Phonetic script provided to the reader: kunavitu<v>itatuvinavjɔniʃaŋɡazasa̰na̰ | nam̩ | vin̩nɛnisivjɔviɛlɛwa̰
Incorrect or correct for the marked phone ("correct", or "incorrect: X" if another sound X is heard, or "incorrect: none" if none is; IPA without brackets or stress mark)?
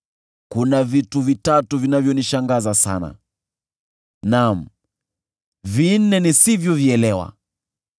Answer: correct